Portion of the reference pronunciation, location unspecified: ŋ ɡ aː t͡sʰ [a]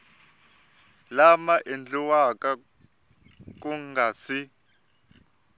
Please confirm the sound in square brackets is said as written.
no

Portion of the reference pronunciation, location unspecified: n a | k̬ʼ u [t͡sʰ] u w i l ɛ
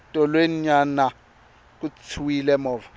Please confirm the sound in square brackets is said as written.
yes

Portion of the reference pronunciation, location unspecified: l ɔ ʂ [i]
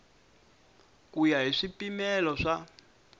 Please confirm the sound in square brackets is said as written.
no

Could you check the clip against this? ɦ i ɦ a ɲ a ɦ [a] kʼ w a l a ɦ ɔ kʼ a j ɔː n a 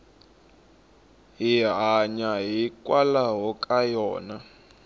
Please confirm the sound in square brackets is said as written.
no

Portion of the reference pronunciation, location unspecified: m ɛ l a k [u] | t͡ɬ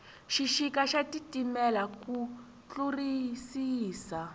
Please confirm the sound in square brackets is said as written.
yes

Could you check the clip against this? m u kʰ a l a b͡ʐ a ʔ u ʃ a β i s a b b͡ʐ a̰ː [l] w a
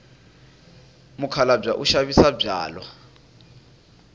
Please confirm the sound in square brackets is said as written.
yes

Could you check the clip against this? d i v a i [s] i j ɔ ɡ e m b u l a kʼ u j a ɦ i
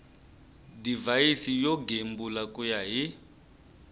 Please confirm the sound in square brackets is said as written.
yes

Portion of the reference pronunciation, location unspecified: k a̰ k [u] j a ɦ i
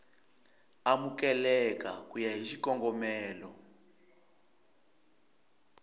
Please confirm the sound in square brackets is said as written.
yes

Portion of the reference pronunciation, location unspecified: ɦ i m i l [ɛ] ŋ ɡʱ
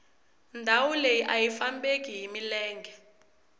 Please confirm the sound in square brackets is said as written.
no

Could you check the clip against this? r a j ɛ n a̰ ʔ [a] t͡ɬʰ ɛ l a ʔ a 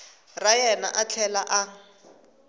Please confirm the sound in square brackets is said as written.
yes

